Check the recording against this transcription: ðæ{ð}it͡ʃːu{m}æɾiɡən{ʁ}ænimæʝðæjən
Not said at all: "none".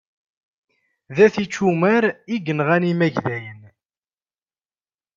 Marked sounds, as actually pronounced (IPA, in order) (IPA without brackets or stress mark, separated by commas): θ, m, ʁ